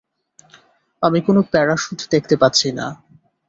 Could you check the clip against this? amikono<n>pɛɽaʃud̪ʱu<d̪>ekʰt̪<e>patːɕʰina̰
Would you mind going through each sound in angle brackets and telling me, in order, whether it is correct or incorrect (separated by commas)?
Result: incorrect, correct, correct